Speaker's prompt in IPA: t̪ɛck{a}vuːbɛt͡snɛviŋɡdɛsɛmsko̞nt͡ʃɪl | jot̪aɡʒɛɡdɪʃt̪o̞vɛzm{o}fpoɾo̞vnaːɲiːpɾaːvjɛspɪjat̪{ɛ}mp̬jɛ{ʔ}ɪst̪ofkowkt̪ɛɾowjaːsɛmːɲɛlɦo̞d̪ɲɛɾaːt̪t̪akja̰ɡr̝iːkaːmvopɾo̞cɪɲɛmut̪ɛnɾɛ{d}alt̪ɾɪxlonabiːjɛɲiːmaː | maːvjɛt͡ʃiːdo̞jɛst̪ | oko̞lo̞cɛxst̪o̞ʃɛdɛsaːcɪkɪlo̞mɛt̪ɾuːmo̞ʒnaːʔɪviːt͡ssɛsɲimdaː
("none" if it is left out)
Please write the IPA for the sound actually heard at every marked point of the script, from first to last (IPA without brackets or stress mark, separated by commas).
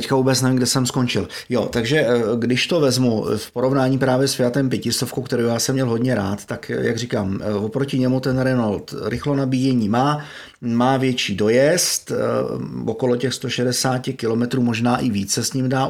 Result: a, u, ɛ, c, n